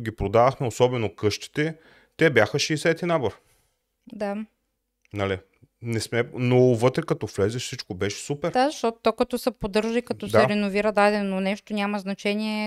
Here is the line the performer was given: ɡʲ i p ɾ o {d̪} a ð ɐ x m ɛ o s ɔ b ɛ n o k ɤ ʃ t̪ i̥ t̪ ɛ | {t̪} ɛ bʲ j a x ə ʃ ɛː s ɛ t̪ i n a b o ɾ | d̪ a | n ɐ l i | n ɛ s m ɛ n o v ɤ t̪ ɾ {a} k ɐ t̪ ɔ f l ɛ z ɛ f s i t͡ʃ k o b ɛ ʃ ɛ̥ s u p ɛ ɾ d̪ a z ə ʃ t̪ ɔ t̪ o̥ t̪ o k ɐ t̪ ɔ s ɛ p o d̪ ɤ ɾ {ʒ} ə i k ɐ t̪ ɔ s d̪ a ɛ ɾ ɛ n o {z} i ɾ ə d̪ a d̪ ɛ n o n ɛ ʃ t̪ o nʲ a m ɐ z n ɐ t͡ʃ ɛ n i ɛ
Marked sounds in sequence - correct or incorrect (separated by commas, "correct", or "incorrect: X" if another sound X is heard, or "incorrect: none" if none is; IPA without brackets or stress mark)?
correct, correct, incorrect: ɛ, correct, incorrect: v